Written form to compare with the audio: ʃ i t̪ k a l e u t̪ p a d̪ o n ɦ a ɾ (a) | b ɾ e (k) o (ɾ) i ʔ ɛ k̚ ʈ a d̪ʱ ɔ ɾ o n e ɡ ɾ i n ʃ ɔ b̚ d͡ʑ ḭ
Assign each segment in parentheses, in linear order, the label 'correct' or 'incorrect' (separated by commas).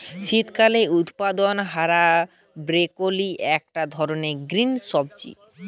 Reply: correct, correct, incorrect